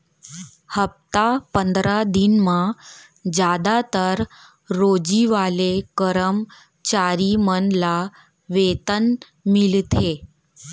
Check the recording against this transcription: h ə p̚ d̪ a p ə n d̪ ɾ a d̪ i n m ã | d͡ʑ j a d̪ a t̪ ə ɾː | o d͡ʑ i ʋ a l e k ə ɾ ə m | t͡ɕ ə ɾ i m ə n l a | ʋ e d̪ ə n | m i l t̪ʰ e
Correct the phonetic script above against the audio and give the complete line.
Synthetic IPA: h ə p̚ t̪ a p ə n d̪ ɾ a d̪ i n m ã | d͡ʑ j a d̪ a t̪ ə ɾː | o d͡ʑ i ʋ a l e k ə ɾ ə m | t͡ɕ a ɾ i m ə n l a | ʋ e t̪ ə n | m i l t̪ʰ e